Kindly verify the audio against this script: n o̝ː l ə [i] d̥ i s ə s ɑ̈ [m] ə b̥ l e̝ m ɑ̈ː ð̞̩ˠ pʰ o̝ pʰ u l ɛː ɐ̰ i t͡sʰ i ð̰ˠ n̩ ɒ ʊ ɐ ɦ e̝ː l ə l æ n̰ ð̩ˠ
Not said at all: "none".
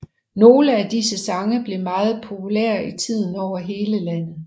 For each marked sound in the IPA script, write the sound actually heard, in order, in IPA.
æ, ŋ

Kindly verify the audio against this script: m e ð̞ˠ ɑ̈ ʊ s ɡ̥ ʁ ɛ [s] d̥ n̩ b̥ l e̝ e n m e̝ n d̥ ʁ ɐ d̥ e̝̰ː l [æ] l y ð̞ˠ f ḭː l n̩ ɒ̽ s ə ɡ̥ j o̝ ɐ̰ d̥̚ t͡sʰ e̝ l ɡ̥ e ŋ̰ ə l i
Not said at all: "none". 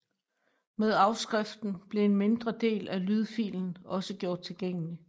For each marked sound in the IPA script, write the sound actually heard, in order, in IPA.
f, æ

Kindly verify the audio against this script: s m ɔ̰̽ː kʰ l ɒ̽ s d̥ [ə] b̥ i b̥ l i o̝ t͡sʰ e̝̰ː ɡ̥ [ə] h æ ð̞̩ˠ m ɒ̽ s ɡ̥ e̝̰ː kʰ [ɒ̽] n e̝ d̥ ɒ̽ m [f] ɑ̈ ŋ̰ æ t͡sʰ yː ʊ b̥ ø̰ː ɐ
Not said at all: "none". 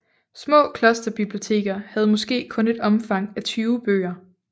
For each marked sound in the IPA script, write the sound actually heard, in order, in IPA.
ɐ, ɐ, ɔ̽, f

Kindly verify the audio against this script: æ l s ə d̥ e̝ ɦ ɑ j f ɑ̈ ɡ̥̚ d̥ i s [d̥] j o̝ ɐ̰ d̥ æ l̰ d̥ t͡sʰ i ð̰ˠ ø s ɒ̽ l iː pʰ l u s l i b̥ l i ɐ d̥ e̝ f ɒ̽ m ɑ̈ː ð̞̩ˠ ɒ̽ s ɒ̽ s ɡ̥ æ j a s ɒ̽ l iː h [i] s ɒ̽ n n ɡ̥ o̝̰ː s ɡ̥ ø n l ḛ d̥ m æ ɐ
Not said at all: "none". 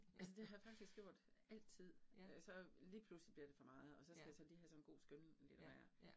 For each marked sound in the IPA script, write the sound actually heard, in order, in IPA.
ɡ̥, æ

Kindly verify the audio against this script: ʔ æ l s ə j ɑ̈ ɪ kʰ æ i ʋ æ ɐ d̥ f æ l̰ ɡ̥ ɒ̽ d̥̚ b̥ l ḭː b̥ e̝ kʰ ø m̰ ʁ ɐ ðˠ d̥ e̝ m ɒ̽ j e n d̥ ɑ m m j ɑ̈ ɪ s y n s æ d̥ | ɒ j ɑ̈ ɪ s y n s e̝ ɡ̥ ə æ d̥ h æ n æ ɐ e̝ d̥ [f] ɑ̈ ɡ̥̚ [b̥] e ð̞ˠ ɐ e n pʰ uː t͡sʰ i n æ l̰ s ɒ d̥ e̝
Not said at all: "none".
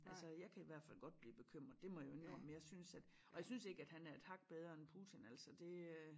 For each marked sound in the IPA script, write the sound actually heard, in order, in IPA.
h, b̥

